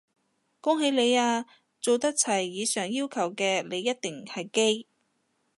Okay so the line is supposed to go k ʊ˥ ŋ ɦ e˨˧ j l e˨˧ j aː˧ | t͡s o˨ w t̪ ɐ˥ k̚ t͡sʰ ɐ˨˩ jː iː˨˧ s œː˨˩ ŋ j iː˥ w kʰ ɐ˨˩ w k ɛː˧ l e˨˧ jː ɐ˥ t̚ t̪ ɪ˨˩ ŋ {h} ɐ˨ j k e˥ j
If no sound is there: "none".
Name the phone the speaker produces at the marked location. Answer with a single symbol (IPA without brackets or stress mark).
h